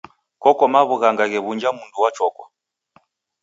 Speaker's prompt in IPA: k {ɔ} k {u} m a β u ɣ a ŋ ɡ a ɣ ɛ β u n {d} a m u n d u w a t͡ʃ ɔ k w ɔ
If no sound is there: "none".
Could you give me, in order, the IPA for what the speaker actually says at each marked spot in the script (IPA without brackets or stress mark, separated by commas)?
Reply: ɔ, ɔ, d͡ʒ